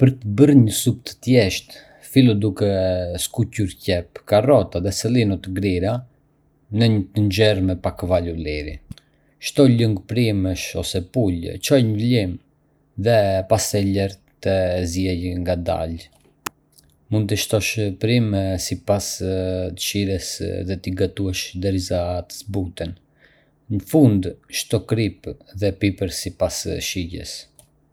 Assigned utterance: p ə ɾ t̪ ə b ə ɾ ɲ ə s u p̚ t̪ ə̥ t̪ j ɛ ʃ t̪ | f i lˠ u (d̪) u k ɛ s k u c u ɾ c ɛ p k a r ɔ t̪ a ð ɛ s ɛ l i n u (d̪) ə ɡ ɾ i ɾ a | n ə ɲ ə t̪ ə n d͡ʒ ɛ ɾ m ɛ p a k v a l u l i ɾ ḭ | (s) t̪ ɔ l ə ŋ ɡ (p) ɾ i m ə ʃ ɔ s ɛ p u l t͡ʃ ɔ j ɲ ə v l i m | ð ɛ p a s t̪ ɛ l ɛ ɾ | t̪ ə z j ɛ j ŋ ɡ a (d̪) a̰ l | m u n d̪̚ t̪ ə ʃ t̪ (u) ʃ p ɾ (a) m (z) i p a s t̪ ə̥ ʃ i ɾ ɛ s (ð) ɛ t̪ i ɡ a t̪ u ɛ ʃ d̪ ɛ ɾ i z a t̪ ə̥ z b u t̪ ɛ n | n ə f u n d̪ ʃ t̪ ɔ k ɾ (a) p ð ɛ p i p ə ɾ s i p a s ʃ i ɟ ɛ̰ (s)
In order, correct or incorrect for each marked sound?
correct, incorrect: t̪, incorrect: ʃ, correct, correct, incorrect: ɔ, incorrect: i, incorrect: s, correct, incorrect: i, correct

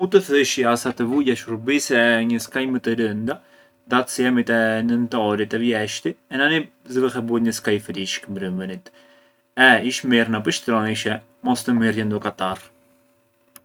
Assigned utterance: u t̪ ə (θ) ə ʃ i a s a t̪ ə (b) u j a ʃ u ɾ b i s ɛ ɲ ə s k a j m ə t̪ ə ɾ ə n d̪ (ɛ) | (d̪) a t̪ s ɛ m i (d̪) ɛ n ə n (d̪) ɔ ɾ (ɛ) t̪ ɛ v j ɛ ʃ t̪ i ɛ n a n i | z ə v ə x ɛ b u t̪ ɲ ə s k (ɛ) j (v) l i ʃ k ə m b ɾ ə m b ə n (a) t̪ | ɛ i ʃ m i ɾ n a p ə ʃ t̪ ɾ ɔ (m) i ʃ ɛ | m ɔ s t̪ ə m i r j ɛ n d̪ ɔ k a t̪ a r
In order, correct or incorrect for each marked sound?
correct, incorrect: v, incorrect: a, correct, incorrect: t̪, incorrect: t̪, incorrect: i, incorrect: a, incorrect: f, incorrect: i, incorrect: n

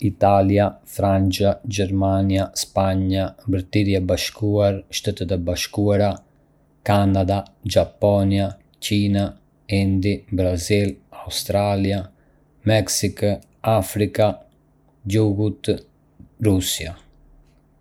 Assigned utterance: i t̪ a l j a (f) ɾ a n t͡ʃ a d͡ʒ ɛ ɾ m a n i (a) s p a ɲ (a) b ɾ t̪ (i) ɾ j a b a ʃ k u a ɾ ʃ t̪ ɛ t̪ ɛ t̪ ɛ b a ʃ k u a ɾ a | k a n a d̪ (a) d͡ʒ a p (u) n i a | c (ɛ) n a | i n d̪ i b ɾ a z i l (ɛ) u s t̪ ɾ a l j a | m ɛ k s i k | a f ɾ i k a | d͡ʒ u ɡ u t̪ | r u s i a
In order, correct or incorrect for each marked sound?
correct, correct, correct, correct, correct, incorrect: ɔ, incorrect: i, incorrect: a

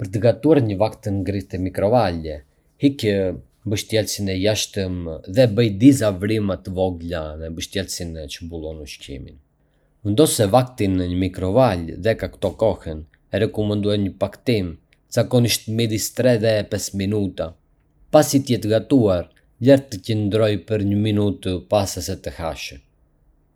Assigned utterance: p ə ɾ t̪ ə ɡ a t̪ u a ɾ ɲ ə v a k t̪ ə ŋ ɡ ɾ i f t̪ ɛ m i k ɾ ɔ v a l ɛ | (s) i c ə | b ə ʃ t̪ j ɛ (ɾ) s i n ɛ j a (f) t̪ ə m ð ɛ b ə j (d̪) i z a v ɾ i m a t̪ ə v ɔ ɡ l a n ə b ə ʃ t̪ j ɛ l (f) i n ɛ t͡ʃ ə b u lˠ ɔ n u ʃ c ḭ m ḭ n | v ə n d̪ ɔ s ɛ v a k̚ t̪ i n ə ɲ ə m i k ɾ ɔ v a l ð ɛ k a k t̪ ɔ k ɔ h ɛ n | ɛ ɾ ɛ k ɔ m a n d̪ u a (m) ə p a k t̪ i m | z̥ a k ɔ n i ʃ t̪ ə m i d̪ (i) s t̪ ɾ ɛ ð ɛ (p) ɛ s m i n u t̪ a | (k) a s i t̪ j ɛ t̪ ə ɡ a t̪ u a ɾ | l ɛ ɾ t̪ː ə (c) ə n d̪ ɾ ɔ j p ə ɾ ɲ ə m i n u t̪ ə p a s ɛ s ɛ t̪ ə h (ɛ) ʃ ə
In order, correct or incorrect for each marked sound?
incorrect: h, incorrect: l, incorrect: ʃ, correct, incorrect: s, incorrect: ɲ, correct, correct, incorrect: p, correct, incorrect: a

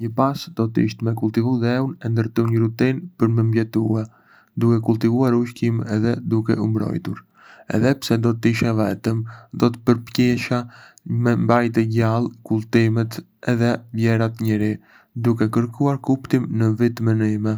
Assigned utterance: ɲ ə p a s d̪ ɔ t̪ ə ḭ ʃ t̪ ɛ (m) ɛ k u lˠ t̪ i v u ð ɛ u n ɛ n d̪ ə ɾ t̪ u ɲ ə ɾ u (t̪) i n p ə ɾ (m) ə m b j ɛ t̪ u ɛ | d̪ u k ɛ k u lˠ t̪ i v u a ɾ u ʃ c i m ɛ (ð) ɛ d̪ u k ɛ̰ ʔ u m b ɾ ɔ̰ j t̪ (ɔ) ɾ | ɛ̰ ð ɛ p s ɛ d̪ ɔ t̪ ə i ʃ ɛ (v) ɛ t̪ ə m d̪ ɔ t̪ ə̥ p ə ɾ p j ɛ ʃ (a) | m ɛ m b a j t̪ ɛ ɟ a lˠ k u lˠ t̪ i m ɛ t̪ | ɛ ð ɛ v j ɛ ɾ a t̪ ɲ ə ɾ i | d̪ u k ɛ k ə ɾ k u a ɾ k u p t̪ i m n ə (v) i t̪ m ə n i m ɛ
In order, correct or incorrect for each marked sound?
correct, correct, correct, correct, incorrect: u, correct, correct, correct

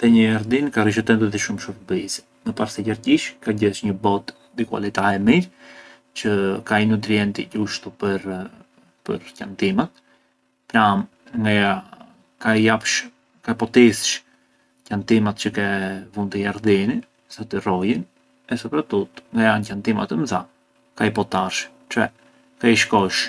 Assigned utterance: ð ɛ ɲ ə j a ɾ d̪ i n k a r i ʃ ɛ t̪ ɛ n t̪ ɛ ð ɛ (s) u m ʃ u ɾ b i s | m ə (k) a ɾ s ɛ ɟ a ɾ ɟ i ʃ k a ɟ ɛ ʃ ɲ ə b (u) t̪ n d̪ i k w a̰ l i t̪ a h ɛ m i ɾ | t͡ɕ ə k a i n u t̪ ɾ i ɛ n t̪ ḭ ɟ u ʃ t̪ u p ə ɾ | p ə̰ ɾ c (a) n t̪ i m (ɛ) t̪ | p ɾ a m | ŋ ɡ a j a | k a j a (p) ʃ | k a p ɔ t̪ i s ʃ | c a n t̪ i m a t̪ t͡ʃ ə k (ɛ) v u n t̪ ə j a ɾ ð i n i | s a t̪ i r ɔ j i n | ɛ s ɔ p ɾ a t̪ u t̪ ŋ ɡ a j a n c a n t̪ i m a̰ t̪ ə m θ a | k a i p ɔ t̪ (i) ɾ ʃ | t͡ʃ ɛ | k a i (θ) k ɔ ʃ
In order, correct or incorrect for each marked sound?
incorrect: ʃ, incorrect: p, incorrect: ɔ, correct, incorrect: a, correct, correct, incorrect: a, incorrect: ʃ

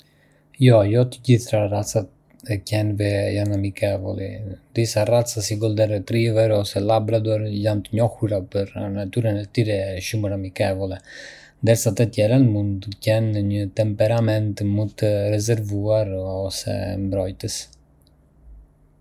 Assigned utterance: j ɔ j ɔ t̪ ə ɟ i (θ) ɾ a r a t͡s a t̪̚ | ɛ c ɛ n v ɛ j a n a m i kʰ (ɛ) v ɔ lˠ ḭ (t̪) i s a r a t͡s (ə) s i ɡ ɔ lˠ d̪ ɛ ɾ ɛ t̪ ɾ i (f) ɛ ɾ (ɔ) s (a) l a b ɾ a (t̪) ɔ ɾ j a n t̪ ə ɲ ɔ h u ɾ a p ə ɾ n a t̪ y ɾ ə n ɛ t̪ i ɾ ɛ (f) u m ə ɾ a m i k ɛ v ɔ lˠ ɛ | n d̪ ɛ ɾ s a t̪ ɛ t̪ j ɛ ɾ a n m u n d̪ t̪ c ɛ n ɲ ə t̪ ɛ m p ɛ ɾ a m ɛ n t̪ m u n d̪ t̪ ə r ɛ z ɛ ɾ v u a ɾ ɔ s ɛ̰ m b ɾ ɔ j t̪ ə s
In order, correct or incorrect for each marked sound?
correct, correct, incorrect: d̪, incorrect: a, incorrect: v, correct, incorrect: ɛ, incorrect: d̪, incorrect: ʃ

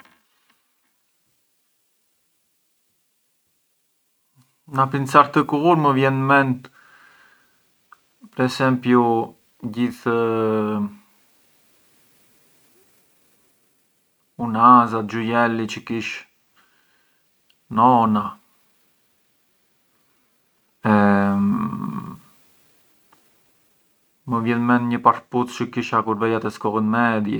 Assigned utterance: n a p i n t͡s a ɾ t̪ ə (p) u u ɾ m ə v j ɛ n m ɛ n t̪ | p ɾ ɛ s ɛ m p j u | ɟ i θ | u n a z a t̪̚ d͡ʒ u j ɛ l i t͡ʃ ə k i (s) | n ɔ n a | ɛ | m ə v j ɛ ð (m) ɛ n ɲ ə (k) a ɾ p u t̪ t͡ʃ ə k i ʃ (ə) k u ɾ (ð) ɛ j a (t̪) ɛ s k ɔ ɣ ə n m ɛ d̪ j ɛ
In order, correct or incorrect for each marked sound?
incorrect: k, incorrect: ʃ, correct, incorrect: p, incorrect: a, incorrect: v, correct

